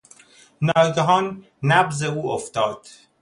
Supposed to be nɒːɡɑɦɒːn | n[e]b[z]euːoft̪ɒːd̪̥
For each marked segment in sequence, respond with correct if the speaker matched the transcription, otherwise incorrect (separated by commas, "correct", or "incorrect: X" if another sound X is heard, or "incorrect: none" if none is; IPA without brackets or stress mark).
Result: incorrect: æ, correct